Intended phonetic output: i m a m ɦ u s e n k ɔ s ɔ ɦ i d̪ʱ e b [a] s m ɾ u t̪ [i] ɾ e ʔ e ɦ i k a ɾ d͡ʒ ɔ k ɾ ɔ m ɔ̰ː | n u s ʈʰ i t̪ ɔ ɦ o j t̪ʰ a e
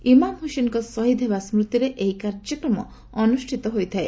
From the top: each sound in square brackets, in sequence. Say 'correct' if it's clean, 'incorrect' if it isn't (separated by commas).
correct, correct